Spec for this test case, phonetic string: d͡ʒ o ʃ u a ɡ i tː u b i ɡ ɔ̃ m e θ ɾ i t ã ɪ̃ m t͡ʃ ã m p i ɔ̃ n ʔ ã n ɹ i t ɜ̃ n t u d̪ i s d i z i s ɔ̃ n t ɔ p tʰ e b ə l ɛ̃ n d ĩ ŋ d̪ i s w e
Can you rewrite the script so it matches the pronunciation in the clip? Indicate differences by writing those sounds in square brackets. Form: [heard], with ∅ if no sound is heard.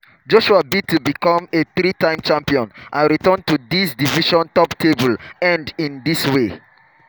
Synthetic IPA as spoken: d͡ʒ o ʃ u a [b] i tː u b i [k] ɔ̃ m e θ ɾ i t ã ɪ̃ m t͡ʃ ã m p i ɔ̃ n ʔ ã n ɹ i t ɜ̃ n t u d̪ i s d i [v] i [ʃ] ɔ̃ n t ɔ p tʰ e b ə l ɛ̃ n d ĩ [n] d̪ i s w e